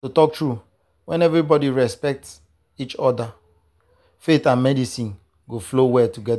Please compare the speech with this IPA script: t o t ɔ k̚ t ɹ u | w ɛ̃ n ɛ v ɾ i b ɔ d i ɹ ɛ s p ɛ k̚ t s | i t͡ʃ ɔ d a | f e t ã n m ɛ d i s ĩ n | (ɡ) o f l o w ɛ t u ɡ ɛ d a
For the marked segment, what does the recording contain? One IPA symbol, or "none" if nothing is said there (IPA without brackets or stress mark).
ɡ